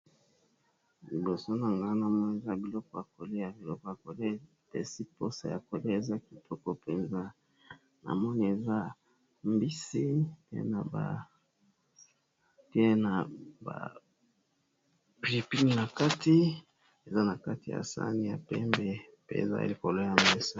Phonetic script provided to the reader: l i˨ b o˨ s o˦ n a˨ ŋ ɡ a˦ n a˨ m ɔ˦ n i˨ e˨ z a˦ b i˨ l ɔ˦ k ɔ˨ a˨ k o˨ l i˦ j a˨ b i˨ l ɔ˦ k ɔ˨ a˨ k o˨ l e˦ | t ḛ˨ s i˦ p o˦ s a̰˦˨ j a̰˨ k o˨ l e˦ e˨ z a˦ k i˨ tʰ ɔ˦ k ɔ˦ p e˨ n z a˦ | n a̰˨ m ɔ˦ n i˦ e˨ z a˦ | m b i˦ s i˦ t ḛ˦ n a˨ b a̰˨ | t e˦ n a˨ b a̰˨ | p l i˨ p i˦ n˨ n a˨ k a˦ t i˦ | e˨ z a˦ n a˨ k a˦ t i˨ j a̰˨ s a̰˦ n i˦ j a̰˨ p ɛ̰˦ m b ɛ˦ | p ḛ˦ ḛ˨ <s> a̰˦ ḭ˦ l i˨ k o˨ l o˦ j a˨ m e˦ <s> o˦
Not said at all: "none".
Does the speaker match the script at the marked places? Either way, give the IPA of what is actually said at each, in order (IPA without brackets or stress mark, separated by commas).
z, s